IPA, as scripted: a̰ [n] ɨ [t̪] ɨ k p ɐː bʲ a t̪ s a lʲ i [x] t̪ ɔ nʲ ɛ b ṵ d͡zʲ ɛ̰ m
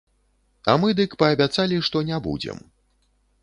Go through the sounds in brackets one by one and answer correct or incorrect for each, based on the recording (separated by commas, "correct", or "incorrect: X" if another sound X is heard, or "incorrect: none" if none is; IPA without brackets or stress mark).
incorrect: m, incorrect: d̪, incorrect: ʂ